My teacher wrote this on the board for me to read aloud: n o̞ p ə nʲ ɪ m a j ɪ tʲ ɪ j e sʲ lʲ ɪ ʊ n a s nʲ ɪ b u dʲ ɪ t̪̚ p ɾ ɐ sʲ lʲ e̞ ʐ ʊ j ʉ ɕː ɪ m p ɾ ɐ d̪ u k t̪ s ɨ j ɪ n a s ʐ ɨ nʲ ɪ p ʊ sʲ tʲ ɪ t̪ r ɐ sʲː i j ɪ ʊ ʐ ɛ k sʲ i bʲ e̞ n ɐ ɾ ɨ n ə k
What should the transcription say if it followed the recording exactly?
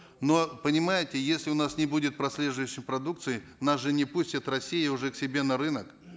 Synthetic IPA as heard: n o̞ p ə nʲ ɪ m a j ɪ tʲ ɪ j e sʲ lʲ ɪ ʊ n a s nʲ ɪ b u dʲ ɪ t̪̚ p ɾ ɐ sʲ lʲ e̞ ʐ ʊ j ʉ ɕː ɪ m p ɾ ɐ d̪ u k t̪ s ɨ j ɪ n a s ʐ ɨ nʲ ɪ p u sʲ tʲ ɪ t̪ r ɐ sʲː i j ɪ ʊ ʐ ɛ k sʲ ɪ bʲ e̞ n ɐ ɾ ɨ n ə k